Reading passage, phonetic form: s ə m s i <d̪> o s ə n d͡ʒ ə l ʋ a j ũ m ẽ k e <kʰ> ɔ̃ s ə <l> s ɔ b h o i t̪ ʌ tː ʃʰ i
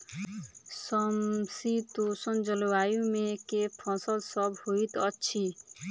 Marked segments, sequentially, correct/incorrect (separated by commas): incorrect, incorrect, correct